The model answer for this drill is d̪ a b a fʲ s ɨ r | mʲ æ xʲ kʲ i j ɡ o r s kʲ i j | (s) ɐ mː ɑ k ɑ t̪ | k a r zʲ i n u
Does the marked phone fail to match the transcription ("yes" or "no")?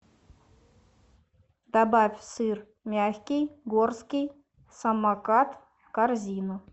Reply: no